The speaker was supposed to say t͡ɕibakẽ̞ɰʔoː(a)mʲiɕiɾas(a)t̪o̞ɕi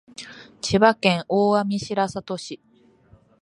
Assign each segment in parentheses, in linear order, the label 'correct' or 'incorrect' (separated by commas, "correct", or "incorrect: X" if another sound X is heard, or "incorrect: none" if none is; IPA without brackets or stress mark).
correct, correct